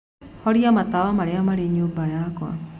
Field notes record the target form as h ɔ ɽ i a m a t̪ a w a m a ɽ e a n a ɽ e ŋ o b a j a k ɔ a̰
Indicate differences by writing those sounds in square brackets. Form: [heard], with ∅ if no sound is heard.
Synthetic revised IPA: h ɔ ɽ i a m a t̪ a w a m a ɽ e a [m] a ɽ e [ɲ] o b a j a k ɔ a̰